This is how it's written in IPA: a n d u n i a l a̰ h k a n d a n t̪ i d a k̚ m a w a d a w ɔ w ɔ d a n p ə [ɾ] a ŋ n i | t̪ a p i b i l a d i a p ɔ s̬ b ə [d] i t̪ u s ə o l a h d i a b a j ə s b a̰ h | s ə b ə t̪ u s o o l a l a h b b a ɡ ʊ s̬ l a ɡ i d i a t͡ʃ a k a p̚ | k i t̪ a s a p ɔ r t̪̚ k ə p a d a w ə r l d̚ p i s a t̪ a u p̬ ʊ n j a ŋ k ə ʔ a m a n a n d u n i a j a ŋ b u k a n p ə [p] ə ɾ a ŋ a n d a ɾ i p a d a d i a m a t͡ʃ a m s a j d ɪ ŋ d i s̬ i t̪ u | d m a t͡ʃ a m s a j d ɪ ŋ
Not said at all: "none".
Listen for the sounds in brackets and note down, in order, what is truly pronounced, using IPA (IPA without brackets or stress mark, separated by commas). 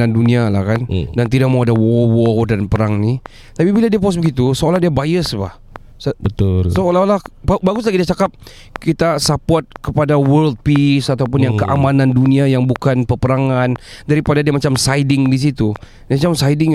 ɾ, ɡ, p